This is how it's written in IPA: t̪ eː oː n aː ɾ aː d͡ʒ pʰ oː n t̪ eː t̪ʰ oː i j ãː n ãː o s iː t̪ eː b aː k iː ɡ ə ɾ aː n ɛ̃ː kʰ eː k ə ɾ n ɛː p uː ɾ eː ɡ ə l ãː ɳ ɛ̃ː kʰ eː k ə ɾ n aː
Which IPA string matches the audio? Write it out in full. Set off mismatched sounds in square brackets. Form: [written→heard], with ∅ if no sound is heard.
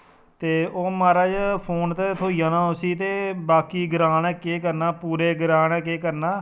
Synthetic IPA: t̪ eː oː [n→m] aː ɾ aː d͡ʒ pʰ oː n t̪ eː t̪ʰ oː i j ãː n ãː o s iː t̪ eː b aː k iː ɡ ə ɾ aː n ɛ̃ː [kʰ→k] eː k ə ɾ n [ɛː→aː] p uː ɾ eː ɡ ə [l→ɾ] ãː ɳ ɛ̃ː [kʰ→k] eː k ə ɾ n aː